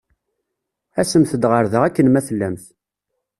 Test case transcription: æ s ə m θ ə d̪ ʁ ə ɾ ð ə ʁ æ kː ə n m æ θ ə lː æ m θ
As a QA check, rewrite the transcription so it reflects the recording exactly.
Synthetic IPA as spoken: æ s ə m θ ə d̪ ʁ ə ɾ ð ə ʁ æ kː ə n m æ θ ə lː æ m θ